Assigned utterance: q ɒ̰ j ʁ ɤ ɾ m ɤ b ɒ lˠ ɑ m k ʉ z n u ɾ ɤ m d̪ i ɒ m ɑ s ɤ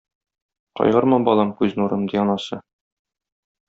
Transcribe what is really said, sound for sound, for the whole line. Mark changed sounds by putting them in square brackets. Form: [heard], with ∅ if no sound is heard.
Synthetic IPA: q ɒ̰ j ʁ ɤ ɾ m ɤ b ɒ lˠ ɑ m k ʉ z n u ɾ ɤ m d̪ i ɒ [n] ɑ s ɤ